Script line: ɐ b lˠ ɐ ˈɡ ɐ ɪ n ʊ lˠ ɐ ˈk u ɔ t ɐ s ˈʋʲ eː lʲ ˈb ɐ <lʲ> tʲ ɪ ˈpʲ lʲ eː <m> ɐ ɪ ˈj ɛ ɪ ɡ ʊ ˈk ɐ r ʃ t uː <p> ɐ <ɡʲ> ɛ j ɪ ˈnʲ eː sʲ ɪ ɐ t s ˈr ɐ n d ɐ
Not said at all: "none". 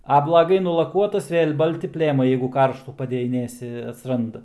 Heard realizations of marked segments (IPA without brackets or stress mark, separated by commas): lʲ, m, p, dʲ